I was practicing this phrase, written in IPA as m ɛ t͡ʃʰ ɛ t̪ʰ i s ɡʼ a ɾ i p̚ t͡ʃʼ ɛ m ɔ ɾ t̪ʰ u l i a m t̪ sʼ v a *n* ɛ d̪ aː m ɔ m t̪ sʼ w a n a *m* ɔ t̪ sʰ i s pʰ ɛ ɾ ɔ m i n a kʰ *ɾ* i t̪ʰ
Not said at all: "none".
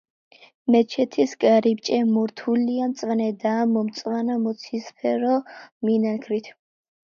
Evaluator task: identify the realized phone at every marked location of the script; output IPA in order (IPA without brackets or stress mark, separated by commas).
n, m, ɾ